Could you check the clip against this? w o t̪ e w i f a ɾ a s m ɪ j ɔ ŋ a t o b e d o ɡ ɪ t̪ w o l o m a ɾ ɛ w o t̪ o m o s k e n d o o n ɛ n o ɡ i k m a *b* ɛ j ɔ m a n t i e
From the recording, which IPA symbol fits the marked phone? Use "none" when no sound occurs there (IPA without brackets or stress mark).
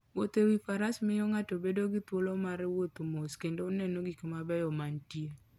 b